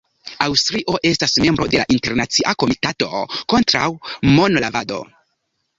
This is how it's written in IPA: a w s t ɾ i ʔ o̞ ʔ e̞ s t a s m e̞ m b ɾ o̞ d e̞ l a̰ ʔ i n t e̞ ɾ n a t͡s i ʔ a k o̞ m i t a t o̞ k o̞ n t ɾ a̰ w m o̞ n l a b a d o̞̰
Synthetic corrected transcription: a w s t ɾ i ʔ o̞ ʔ e̞ s t a s m e̞ m b ɾ o̞ d e̞ l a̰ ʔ i n t e̞ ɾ n a t͡s i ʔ a k o̞ m i t a t o̞ k o̞ n t ɾ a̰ w m o̞ n l a v a d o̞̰